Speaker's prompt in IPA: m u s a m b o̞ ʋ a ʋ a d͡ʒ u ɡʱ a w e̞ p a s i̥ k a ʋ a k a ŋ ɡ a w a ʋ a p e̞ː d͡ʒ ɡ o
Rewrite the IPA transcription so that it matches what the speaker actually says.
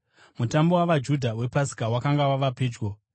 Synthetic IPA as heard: m u t a m b o̞ w a ʋ a d͡ʒ u dʱ a w e̞ p a s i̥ k a w a k a ŋ ɡ a w a ʋ a p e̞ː d͡ʒ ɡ o

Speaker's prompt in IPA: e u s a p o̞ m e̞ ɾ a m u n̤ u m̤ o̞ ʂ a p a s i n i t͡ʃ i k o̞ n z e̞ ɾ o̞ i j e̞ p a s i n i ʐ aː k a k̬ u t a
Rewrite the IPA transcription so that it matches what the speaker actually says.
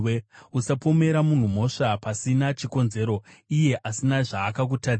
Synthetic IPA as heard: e u s a p o̞ m e̞ ɾ a m u n̤ u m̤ o̞ ʂ a p a s i n a t͡ʃ i k o̞ n z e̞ ɾ o̞ i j e̞ ʔ a s i n a ʐ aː k a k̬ u t a

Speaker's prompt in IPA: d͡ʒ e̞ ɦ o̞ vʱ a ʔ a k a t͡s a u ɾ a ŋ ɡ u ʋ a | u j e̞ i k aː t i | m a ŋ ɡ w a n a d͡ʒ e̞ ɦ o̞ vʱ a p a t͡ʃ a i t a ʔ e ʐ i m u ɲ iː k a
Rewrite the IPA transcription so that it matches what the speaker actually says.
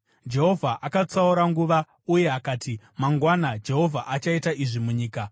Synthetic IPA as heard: d͡ʒ e̞ ɦ o̞ vʱ a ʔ a k a t͡s a u ɾ a ŋ ɡ u ʋ a | u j e̞ a k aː t i | m a ŋ ɡ w a n a d͡ʒ e̞ ɦ o̞ vʱ a ʔ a t͡ʃ a i t a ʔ i ʐ i m u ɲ iː k a

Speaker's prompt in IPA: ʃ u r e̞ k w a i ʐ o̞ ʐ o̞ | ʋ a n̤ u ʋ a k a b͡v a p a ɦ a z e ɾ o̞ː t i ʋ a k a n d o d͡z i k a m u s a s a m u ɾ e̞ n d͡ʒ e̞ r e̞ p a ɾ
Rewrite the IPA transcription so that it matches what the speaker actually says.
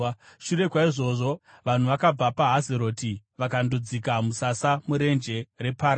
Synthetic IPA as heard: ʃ u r e̞ k w a i ʐ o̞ ʐ o̞ | ʋ a n̤ u ʋ a k a b͡v a p a ɦ a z e ɾ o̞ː t i ʋ a k a n d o d͡z i k a m u s a s a m u ɾ e̞ n d͡ʒ e̞ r e̞ p a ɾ

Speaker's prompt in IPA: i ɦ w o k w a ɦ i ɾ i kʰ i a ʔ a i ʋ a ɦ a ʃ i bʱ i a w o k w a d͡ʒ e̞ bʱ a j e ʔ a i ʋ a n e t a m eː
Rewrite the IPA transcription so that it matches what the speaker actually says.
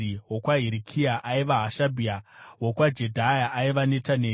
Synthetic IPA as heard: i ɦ w o k w a ɦ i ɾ i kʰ i a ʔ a i ʋ a ɦ a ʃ a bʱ i a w o k w a d͡ʒ e̞ dʱ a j a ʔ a i ʋ a n e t a n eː

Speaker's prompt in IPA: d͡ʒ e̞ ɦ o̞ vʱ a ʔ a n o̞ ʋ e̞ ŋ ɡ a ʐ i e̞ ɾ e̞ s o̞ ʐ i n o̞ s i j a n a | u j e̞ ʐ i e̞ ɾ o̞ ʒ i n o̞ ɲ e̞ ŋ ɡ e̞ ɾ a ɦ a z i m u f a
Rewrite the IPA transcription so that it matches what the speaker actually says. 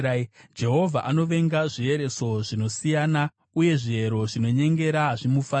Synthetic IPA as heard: d͡ʒ e̞ ɦ o̞ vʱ a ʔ a n o̞ ʋ e̞ ŋ ɡ a ʐ i e̞ ɾ e̞ s o̞ ʐ i n o̞ s i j a n a | u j e̞ ʐ i e̞ ɾ o̞ ʐ i n o̞ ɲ e̞ ŋ ɡ e̞ ɾ a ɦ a ʐ i m u f a

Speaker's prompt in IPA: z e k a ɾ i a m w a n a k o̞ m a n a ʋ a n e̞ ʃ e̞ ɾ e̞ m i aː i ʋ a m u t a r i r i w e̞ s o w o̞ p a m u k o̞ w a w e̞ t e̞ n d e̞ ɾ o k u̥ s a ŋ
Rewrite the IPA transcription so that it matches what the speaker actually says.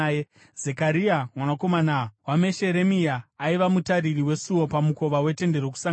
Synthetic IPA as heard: z e k a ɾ i a m w a n a k o̞ m a n a w a m e̞ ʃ e̞ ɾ e̞ m i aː i ʋ a m u t a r i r i w e̞ s u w o̞ p a m u k o̞ ʋ a w e̞ t e̞ n d e̞ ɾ o k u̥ s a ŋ

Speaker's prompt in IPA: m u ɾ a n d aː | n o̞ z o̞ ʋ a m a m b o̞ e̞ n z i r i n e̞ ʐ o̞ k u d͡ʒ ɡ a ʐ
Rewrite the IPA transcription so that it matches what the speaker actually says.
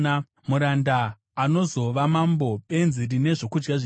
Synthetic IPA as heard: m u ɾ a n d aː | n o̞ z o̞ ʋ a m a m b o̞ e̞ n z i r i n e̞ ʐ o̞ k u d͡ʒ ɡ a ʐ

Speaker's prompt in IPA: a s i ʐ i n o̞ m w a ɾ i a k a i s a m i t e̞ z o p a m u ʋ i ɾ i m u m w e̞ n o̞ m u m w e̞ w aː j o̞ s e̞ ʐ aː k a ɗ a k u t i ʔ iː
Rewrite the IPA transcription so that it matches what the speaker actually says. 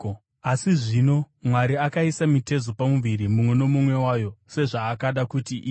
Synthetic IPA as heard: a s i ʐ i n o̞ m w a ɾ i a k a i s a m i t e̞ z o p a m u ʋ i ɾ i m u m w e̞ n o̞ m u m w e̞ w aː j o̞ s e̞ ʐ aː k a ɗ a k u t i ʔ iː

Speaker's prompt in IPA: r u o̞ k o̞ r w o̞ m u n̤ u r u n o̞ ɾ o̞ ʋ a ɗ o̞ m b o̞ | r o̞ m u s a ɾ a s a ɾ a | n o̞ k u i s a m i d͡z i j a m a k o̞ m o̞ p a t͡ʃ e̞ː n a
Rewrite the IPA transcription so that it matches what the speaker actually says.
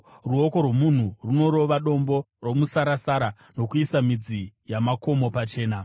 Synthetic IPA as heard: r u o̞ k o̞ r w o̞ m u n̤ u r u n o̞ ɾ o̞ ʋ a ɗ o̞ m b o̞ | r o̞ m u s a ɾ a s a ɾ a | n o̞ k u i s a m i d͡z i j a m a k o̞ m o̞ p a t͡ʃ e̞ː n a

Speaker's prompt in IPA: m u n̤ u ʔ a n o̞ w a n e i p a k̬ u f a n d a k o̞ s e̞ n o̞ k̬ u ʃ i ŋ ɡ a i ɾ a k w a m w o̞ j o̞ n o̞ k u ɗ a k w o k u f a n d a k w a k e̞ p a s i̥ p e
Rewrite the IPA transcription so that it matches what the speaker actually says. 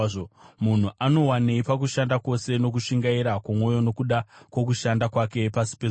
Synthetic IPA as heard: m u n̤ u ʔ a n o̞ w a n e i p a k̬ u ʃ a n d a k o̞ s e̞ n o̞ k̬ u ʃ i ŋ ɡ a i ɾ a k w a m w o̞ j o̞ n o̞ k u ɗ a k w o k u ʃ a n d a k w a k e̞ p a s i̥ p e

